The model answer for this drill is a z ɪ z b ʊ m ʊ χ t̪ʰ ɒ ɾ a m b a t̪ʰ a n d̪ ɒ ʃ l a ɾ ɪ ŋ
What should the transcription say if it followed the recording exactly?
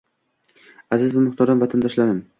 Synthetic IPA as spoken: a z ɪ z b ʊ m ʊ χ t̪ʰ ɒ ɾ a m v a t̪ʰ a n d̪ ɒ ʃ l a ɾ ɪ m